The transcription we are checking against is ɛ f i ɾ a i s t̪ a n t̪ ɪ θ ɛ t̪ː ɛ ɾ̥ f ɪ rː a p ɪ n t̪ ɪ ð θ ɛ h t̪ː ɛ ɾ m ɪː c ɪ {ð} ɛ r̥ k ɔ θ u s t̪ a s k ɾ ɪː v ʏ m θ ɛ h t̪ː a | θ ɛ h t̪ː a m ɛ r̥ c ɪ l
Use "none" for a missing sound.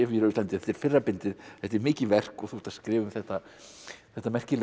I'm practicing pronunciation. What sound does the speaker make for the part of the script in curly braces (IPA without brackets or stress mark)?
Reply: v